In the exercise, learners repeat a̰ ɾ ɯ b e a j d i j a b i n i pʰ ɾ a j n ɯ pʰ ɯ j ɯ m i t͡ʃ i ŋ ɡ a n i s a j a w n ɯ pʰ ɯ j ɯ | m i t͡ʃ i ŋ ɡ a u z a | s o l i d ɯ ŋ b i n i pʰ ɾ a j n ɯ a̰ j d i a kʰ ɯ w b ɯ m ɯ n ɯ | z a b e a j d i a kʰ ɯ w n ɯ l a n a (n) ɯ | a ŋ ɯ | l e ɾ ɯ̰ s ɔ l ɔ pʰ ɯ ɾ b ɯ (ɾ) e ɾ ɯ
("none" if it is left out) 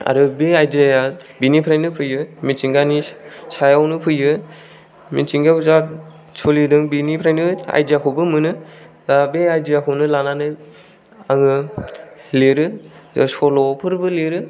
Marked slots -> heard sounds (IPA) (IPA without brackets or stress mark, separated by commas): n, l